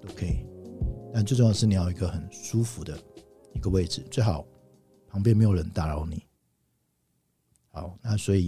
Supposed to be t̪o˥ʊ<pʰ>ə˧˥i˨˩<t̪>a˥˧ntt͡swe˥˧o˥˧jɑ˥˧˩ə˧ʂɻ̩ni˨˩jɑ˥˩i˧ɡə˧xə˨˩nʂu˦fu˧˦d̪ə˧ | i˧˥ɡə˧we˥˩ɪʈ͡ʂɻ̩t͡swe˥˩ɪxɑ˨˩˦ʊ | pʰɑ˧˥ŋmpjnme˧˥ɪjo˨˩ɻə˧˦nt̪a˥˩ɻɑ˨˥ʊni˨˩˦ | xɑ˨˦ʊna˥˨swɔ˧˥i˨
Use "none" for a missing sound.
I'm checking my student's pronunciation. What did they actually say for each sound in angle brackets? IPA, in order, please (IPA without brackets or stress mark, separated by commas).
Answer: kʰ, t̪